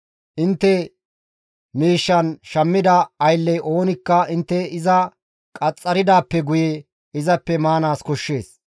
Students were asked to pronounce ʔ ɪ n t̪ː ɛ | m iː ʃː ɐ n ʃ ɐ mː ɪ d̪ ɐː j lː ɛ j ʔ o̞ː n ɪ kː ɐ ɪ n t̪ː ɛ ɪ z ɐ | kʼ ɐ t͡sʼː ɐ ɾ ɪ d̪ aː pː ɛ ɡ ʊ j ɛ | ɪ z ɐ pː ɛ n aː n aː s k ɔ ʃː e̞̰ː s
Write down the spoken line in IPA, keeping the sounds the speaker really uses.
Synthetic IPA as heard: ʔ ɪ n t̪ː ɛ | m iː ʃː ɐ n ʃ ɐ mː ɪ d̪ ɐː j lː ɛ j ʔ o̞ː n ɪ kː ɐ ɪ n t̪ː ɛ ɪ z ɐ | kʼ ɐ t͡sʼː ɐ ɾ ɪ d̪ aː pː ɛ ɡ ʊ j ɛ | ɪ z ɐ pː ɛ m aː n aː s k ɔ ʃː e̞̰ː s